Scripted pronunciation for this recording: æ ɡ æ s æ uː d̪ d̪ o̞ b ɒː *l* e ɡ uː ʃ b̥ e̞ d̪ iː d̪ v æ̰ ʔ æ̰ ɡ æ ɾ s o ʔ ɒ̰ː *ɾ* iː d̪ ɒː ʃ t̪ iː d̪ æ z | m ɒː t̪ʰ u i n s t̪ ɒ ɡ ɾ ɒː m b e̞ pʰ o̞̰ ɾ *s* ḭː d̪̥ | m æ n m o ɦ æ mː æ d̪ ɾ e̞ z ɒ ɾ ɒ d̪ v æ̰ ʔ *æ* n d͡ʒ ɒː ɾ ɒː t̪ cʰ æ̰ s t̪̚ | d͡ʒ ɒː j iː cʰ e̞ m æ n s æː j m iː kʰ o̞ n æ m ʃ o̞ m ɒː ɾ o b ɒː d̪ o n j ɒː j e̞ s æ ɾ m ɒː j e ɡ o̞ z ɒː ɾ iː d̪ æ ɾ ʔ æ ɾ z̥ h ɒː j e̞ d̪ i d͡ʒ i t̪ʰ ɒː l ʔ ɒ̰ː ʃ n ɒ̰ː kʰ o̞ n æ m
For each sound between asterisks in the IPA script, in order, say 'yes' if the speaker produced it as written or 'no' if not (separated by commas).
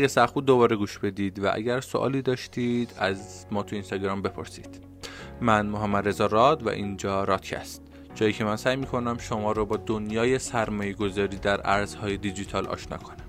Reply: no, no, yes, no